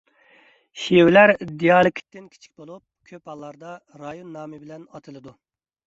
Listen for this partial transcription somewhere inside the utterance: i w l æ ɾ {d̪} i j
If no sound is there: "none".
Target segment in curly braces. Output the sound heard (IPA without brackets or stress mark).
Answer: d̪